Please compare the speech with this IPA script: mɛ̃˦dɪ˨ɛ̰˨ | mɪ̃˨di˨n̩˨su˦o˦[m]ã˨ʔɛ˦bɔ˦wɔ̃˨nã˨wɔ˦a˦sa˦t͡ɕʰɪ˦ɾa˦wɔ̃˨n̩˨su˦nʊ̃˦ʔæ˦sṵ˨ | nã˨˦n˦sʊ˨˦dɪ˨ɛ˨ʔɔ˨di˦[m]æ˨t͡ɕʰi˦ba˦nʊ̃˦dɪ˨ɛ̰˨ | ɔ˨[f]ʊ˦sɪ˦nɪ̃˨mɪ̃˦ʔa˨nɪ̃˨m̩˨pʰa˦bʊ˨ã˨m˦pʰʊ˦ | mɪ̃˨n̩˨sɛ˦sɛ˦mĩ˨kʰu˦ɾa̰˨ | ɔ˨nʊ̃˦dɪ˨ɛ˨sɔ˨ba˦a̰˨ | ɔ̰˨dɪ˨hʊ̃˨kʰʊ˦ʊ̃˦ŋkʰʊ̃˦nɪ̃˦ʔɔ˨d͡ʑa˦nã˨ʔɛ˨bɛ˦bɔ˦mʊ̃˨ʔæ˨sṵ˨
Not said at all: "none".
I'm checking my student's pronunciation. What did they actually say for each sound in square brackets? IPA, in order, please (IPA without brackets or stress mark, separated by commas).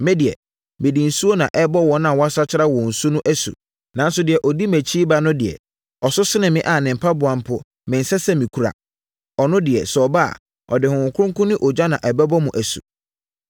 n, m, s